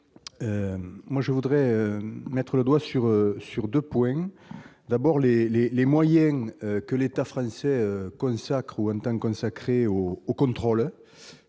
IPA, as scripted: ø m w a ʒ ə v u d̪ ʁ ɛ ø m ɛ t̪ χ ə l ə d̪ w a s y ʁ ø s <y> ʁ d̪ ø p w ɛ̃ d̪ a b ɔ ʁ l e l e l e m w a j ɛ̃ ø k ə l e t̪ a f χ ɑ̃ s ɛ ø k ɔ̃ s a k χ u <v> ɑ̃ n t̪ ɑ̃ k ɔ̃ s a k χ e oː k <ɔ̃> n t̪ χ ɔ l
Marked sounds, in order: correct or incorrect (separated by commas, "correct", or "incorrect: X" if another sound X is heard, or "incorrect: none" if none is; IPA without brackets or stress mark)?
correct, incorrect: none, correct